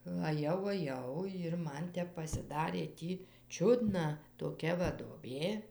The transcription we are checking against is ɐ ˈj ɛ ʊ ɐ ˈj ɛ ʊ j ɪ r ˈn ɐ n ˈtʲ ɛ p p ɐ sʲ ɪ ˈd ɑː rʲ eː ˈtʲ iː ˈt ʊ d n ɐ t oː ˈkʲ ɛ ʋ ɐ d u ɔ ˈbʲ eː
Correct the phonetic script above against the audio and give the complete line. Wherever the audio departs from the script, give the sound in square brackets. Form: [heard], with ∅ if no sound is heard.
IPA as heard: ɐ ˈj ɛ ʊ ɐ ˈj ɛ ʊ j ɪ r [ˈm] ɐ n ˈtʲ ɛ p p ɐ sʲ ɪ ˈd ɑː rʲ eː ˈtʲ iː [ˈt͡ʃʲ] ʊ d n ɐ t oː ˈkʲ ɛ ʋ ɐ d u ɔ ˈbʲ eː